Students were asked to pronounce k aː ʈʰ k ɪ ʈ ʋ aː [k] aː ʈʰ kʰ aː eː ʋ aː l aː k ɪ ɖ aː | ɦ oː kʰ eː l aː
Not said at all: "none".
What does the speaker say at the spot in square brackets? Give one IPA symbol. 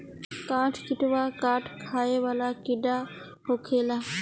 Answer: k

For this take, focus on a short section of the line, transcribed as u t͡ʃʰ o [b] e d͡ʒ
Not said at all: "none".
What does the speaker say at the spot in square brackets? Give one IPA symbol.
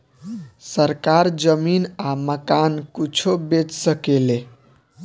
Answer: b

